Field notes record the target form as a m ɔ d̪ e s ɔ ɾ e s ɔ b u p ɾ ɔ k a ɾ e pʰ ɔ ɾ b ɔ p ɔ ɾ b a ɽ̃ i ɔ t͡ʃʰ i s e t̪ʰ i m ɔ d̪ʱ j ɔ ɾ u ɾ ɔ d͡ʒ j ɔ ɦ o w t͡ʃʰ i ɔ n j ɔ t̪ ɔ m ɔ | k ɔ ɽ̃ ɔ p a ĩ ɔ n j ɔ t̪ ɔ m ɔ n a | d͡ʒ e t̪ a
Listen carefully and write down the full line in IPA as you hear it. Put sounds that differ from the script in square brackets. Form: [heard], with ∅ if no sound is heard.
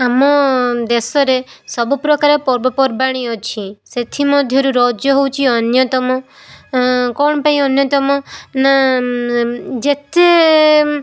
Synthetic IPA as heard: a m ɔ d̪ e s ɔ ɾ e s ɔ b u p ɾ ɔ k a ɾ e [p] ɔ ɾ b ɔ p ɔ ɾ b a ɽ̃ i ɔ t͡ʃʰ i s e t̪ʰ i m ɔ d̪ʱ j ɔ ɾ u ɾ ɔ d͡ʒ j ɔ ɦ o w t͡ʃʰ i ɔ n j ɔ t̪ ɔ m ɔ | k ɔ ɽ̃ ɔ p a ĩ ɔ n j ɔ t̪ ɔ m ɔ n a | d͡ʒ e t̪ [e]

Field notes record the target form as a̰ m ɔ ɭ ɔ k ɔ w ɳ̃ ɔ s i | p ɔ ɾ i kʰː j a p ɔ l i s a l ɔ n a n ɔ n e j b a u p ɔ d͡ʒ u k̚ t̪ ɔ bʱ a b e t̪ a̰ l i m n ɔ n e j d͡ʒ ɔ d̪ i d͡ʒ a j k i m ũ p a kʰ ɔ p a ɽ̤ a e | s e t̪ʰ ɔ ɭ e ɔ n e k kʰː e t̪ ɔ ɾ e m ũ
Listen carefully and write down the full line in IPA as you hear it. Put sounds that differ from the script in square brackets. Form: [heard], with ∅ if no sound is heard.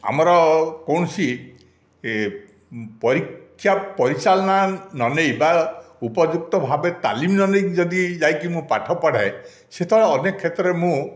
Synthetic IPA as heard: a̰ m ɔ [ɾ] ɔ k ɔ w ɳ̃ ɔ s i | p ɔ ɾ i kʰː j a p ɔ [ɾ] i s a l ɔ n a n ɔ n e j b a u p ɔ d͡ʒ u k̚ t̪ ɔ bʱ a b e t̪ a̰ l i m n ɔ n e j d͡ʒ ɔ d̪ i d͡ʒ a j k i m ũ p a [ʈʰ] ɔ p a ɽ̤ a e | s e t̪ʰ ɔ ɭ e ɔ n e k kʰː e t̪ ɔ ɾ e m ũ

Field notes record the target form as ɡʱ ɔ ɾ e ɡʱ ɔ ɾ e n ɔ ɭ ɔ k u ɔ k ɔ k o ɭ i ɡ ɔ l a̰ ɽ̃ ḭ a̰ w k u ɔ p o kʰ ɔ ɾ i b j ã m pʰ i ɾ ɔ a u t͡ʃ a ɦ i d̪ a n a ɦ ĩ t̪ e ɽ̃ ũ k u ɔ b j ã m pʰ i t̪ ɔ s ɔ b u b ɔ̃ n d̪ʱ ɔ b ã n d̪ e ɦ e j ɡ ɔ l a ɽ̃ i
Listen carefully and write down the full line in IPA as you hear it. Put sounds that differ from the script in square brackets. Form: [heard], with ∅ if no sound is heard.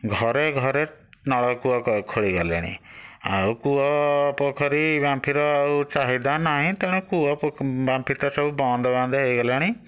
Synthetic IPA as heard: ɡʱ ɔ ɾ e ɡʱ ɔ ɾ e n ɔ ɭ ɔ k u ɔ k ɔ [kʰ] o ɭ i ɡ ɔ l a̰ ɽ̃ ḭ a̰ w k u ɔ p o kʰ ɔ ɾ i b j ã m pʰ i ɾ ɔ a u t͡ʃ a ɦ i d̪ a n a ɦ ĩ t̪ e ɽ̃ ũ k u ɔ b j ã m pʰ i t̪ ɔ s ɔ b u b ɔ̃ n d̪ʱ ɔ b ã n d̪ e ɦ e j ɡ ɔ l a ɽ̃ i

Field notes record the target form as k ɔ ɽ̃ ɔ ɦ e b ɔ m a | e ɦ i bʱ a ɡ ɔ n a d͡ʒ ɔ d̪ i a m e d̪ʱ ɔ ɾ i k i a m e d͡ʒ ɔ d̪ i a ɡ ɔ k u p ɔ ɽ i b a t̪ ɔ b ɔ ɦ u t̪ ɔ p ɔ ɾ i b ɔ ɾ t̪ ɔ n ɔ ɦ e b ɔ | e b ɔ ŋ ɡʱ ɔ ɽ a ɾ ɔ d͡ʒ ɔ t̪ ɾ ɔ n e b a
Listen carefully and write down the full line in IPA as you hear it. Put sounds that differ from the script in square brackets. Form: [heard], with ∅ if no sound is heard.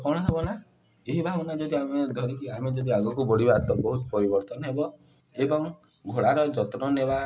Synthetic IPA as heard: k ɔ ɽ̃ ɔ ɦ e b ɔ [n] a | e ɦ i bʱ a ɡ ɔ n a d͡ʒ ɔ d̪ i a m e d̪ʱ ɔ ɾ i k i a m e d͡ʒ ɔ d̪ i a ɡ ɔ k u [b] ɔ ɽ i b a t̪ ɔ b ɔ ɦ u t̪ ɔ p ɔ ɾ i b ɔ ɾ t̪ ɔ n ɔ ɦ e b ɔ | e b ɔ ŋ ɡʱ [o] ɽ a ɾ ɔ d͡ʒ ɔ t̪ ɾ ɔ n e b a

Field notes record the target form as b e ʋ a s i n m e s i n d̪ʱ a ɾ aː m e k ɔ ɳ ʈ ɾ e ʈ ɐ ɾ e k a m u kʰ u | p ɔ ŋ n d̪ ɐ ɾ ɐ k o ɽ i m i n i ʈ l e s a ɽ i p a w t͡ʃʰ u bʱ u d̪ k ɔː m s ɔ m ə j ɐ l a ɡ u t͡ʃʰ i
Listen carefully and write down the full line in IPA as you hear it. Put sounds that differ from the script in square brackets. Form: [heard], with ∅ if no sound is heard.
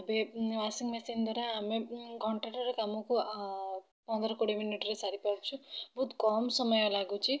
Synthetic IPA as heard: b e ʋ a s i [ŋ] m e s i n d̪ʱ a ɾ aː m e k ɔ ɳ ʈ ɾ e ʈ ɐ ɾ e k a m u [k] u | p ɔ [∅] n d̪ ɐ ɾ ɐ k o ɽ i m i n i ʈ [ɾ] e s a [ɾ] i p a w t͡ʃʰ u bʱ u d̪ k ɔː m s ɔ m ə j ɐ l a ɡ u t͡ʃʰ i

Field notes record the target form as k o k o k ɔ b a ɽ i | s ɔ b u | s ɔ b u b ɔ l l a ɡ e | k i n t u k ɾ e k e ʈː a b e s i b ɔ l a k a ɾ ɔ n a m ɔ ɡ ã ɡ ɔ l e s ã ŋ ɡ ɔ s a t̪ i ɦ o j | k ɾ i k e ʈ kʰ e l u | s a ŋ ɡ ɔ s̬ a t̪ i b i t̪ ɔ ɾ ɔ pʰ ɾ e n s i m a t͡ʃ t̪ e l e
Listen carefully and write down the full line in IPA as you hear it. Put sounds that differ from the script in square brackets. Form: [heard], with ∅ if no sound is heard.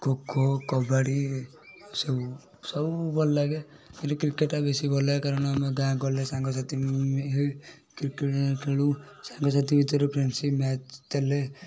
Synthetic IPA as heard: k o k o k ɔ b a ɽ i | s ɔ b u | s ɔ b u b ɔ l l a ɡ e | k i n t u k ɾ [i] k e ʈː a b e s i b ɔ l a k a ɾ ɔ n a m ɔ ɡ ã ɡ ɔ l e s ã ŋ ɡ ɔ s a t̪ i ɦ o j | k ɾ i k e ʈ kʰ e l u | s a ŋ ɡ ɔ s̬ a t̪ i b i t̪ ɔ ɾ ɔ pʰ ɾ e n s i m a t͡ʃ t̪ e l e

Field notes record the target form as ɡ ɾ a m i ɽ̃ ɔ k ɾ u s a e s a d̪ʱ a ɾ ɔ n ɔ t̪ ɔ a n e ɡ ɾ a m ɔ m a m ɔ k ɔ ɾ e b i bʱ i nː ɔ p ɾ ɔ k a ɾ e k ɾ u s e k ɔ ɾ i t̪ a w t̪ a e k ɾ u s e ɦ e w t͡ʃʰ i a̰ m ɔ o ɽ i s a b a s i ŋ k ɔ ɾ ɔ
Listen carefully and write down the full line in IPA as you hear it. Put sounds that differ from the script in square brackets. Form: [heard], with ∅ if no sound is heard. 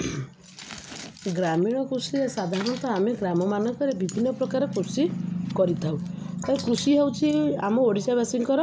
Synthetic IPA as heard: ɡ ɾ a m i ɽ̃ ɔ k ɾ u s [i] e s a d̪ʱ a ɾ ɔ n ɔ t̪ ɔ a [m] e ɡ ɾ a m ɔ m a [n] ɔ k ɔ ɾ e b i bʱ i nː ɔ p ɾ ɔ k a ɾ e k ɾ u s [i] k ɔ ɾ i [t̪ʰ] a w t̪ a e k ɾ u s [i] ɦ e w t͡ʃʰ i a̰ m ɔ o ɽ i s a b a s i ŋ k ɔ ɾ ɔ

